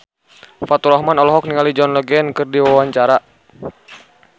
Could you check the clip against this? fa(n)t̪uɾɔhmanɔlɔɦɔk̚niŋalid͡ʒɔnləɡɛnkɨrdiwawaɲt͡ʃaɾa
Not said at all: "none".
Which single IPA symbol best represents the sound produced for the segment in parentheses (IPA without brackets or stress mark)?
none